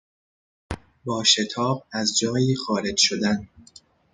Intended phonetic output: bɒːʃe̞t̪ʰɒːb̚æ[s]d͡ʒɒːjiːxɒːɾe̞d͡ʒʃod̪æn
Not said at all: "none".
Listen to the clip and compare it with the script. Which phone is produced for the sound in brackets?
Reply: z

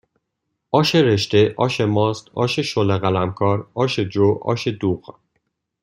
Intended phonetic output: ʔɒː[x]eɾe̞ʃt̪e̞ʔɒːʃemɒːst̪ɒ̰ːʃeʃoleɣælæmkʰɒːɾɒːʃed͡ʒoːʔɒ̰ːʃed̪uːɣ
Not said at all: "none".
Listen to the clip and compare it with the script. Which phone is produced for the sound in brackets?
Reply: ʃ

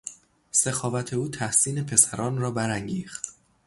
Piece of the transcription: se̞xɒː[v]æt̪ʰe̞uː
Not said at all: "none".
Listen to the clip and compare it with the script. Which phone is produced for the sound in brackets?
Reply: v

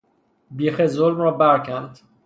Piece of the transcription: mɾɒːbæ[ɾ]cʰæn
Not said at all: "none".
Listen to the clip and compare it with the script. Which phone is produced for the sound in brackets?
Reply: ɾ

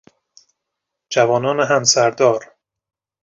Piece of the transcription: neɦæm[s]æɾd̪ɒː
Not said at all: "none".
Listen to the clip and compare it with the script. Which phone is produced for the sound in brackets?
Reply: s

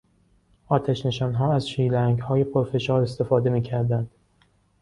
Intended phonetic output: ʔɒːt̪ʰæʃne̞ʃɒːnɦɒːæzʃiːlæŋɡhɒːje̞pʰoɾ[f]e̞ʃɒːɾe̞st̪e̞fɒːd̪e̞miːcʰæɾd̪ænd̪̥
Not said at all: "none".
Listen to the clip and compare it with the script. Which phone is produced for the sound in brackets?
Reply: f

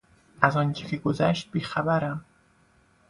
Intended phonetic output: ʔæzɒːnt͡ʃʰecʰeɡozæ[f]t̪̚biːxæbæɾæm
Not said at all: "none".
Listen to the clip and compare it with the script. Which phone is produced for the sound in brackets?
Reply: ʃ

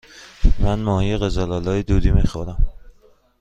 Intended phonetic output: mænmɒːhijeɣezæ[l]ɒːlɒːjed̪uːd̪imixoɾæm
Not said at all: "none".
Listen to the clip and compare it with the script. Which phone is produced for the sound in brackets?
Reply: l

